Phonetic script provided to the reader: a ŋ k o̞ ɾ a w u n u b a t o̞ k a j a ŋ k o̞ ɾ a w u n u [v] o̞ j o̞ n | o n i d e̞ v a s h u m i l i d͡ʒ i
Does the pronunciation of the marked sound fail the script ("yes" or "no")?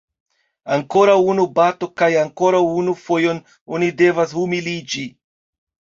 yes